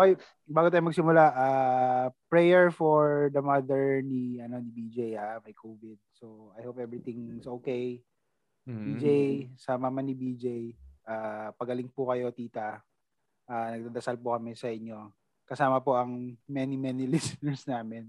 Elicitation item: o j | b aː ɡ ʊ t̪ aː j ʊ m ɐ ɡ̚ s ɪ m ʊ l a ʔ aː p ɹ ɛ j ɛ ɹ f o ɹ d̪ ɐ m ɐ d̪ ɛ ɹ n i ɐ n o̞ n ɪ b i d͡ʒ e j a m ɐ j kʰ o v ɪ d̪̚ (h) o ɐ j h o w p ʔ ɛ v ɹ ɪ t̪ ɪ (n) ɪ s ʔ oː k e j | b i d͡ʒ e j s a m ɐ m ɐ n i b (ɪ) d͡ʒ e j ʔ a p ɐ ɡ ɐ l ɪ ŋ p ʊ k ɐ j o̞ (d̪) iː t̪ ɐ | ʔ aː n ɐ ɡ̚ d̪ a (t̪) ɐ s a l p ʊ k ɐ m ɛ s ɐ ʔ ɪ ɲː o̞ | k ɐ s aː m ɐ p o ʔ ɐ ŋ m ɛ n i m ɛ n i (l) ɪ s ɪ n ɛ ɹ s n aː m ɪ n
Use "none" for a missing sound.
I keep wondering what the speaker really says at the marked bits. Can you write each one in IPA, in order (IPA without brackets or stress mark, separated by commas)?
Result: s, ŋ, i, t̪, d̪, l